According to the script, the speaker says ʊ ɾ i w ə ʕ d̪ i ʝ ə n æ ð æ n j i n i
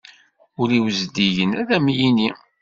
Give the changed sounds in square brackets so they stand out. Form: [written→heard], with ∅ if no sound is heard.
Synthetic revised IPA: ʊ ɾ i w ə [ʕ→z] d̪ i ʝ ə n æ ð æ [n→m] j i n i

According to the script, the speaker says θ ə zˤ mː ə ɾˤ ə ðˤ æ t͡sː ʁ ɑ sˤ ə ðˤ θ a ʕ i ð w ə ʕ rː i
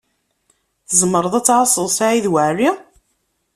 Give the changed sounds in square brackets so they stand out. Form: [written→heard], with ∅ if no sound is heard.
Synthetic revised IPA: θ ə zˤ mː ə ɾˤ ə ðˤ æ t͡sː [ʁ→ʕ] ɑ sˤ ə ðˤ [θ→s] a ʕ i ð w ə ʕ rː i

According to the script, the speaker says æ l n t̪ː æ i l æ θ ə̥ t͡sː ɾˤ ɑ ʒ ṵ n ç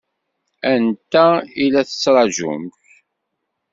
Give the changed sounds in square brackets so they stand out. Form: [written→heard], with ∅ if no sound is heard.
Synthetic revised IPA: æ [l→∅] n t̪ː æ i l æ θ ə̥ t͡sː ɾˤ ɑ ʒ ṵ [n→m] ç

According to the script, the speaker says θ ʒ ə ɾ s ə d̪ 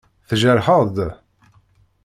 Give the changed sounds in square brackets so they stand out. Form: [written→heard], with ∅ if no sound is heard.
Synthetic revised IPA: θ ʒ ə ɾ [s→ħ] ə d̪

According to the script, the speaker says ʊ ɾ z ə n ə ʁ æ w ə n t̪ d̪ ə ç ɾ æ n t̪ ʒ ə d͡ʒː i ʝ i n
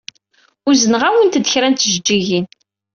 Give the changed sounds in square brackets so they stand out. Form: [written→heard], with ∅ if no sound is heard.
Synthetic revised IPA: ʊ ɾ z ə n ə ʁ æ w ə n t̪ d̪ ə ç ɾ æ n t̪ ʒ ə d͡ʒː i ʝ i n

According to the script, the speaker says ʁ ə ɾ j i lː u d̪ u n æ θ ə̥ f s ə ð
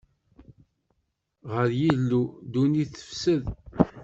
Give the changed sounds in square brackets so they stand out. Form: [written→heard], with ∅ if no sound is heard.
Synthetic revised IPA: ʁ ə ɾ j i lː u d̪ u n [æ→i] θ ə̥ f s ə ð

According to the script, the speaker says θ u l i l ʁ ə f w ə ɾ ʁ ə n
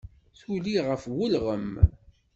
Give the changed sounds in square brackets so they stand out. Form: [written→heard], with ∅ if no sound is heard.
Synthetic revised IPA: θ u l i [l→∅] ʁ ə f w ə [ɾ→l] ʁ ə [n→m]

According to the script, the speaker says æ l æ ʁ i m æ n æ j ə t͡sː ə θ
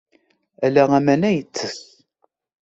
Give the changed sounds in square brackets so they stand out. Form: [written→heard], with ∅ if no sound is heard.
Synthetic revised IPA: æ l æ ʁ [i→æ] m æ n æ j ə t͡sː ə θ

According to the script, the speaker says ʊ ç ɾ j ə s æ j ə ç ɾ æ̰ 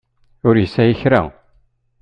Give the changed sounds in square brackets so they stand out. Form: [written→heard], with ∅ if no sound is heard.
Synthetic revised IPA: ʊ [ç→∅] ɾ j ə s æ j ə ç ɾ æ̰

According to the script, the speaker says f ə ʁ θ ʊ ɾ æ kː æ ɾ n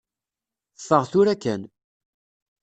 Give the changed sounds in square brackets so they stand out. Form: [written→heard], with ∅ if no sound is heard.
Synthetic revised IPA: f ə ʁ θ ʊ ɾ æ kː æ [ɾ→∅] n

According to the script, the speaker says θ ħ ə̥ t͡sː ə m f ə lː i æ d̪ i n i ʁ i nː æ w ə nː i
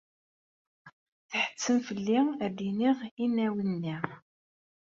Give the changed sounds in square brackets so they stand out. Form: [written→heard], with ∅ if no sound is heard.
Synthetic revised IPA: θ ħ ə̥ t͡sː ə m f ə lː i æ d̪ i n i ʁ i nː æ w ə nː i

